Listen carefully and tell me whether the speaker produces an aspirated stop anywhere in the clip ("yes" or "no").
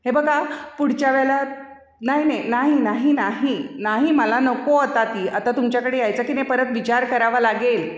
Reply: no